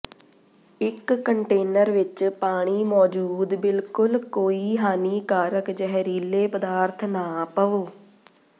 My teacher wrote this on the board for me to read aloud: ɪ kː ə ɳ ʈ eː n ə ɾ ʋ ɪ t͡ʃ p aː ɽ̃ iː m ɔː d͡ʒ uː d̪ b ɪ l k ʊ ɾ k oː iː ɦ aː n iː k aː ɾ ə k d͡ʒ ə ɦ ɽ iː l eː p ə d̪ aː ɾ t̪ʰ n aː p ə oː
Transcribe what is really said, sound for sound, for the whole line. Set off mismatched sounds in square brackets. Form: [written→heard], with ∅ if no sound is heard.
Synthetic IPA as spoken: ɪ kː ə ɳ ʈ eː n ə ɾ ʋ ɪ t͡ʃ p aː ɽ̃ iː m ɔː d͡ʒ uː d̪ b ɪ l k ʊ [ɾ→l] k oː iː ɦ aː n iː k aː ɾ ə k d͡ʒ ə ɦ [ɽ→ɾ] iː l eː p ə d̪ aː ɾ t̪ʰ n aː p ə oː